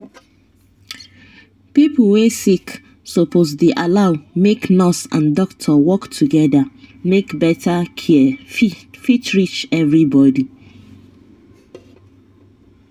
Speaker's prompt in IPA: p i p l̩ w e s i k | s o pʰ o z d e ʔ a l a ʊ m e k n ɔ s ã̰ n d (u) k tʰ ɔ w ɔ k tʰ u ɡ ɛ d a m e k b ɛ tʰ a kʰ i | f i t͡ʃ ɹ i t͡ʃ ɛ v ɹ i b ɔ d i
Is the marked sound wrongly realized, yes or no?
yes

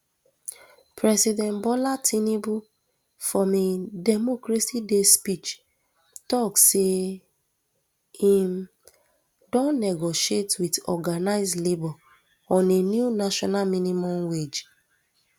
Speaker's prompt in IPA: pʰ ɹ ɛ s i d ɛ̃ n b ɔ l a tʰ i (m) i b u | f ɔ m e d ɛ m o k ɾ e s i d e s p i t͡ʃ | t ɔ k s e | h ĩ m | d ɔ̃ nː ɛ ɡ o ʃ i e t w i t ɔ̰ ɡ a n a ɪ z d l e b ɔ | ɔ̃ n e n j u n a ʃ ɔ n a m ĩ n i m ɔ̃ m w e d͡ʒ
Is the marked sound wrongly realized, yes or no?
yes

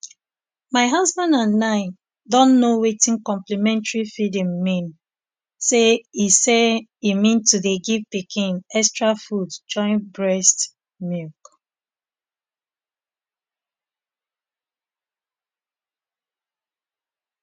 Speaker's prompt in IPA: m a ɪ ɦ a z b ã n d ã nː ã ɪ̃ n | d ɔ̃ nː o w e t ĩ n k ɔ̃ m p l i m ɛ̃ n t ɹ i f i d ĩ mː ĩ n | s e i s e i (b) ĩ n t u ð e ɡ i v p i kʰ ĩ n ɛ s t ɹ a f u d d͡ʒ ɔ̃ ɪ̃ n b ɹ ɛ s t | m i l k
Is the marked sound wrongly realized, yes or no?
yes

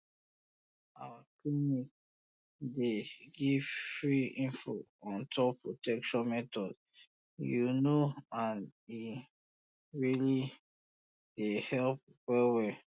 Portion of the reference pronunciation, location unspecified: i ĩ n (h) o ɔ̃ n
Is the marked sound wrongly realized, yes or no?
yes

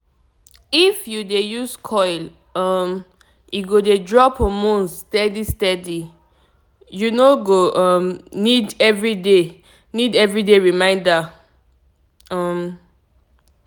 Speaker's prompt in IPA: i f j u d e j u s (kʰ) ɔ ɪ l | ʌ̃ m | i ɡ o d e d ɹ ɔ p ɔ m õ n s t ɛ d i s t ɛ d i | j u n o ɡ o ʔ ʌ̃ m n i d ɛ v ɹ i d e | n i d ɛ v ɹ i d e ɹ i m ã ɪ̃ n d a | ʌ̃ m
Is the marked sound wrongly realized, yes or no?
no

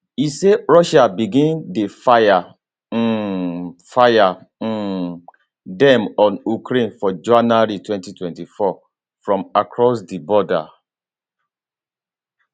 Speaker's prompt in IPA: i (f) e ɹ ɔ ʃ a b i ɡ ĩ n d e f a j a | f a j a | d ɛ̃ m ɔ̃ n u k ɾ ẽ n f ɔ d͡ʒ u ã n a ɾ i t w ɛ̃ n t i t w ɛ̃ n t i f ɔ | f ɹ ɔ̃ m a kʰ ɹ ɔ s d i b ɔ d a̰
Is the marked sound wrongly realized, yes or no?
yes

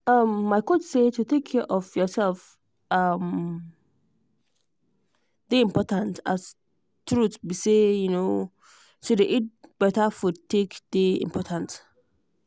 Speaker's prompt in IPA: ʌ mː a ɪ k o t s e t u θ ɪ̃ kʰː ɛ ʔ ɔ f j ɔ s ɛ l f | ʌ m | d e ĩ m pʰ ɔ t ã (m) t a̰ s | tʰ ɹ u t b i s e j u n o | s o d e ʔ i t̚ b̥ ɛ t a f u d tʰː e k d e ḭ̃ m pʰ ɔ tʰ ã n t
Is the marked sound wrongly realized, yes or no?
yes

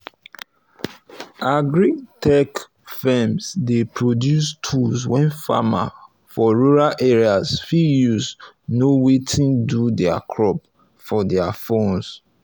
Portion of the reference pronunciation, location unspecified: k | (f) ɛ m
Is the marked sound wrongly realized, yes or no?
no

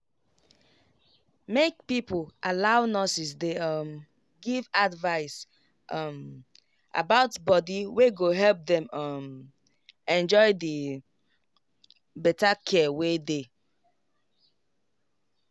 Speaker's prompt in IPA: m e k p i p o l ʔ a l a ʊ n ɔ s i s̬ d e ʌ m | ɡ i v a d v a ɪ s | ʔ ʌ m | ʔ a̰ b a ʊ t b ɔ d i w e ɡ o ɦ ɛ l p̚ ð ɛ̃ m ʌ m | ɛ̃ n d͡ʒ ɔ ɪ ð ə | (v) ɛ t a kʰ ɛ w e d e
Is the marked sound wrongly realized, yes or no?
yes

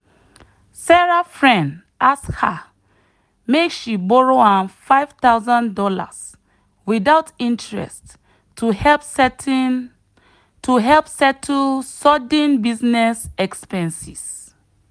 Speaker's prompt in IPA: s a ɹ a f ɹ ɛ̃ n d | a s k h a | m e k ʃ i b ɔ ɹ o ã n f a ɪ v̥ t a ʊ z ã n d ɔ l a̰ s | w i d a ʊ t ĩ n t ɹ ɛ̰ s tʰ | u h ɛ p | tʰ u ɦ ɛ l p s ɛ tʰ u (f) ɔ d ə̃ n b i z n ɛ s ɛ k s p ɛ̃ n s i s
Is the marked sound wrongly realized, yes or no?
yes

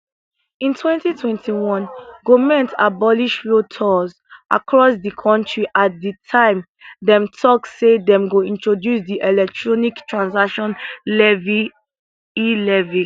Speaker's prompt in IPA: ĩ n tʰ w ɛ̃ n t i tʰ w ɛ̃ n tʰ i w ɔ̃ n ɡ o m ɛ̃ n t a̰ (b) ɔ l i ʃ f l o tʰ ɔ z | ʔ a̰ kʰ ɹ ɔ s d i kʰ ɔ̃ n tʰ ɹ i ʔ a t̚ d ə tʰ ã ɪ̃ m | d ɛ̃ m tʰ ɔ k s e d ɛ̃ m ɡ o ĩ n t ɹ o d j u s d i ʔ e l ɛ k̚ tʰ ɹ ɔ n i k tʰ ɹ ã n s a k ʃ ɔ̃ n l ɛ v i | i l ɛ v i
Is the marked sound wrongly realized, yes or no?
no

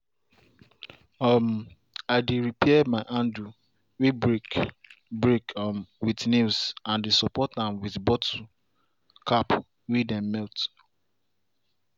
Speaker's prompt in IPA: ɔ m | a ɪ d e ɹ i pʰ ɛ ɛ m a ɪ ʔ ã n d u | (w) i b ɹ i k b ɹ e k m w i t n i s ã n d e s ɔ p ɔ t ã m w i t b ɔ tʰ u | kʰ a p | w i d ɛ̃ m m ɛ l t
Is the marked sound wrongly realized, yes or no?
no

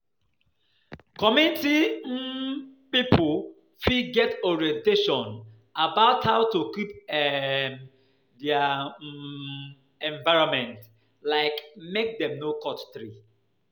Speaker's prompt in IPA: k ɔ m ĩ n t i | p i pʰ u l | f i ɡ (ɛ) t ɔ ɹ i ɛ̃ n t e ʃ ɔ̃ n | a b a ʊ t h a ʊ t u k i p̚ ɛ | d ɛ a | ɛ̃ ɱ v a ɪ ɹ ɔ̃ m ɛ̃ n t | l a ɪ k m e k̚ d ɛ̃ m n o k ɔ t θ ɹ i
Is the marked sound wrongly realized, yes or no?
no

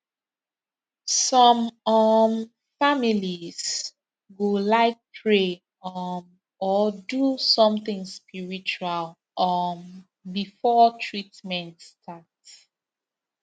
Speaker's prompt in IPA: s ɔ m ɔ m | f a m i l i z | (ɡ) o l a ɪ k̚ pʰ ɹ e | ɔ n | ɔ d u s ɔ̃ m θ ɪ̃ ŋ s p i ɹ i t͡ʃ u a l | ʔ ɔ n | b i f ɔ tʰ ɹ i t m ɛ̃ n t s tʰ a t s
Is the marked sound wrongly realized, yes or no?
no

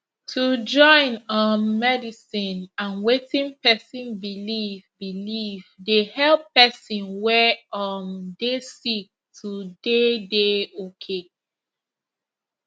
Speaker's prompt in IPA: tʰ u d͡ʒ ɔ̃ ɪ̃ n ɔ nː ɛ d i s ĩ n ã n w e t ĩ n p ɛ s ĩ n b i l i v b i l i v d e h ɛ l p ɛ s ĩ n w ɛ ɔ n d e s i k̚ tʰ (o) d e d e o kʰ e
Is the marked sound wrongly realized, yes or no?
yes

